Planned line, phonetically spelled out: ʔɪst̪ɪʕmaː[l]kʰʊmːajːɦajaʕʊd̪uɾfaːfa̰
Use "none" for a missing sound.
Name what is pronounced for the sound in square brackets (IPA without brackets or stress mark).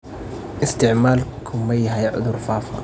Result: l